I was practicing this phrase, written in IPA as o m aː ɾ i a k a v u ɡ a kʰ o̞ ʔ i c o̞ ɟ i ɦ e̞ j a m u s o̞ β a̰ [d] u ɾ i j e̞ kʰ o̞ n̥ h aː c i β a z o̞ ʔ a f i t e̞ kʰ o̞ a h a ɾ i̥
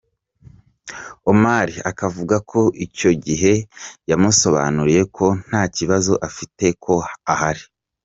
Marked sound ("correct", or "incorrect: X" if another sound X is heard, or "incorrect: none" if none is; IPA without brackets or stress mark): incorrect: n